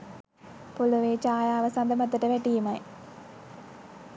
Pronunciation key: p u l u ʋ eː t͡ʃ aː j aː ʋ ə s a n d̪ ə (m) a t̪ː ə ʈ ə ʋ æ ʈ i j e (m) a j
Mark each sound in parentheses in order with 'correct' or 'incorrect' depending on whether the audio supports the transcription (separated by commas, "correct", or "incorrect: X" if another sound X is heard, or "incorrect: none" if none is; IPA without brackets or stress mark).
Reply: correct, correct